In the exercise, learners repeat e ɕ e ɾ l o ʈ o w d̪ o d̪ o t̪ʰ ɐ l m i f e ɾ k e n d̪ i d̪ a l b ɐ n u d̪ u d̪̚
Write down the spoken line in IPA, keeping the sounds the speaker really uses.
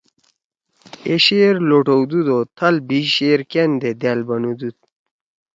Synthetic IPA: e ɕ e ɾ l o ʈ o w d̪ u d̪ o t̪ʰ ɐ l b i ɕ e ɾ k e n d̪ e d̪ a l b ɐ n u d̪ u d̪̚